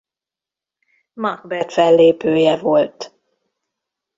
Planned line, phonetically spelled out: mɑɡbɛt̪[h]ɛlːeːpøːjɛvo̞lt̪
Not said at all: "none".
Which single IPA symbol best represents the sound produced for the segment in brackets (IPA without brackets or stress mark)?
f